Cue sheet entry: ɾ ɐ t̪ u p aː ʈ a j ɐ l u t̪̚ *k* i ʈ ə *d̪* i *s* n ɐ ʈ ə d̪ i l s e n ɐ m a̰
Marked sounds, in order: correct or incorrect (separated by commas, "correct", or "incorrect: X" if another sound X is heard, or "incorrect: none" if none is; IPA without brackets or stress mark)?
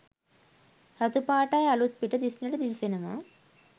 incorrect: p, correct, correct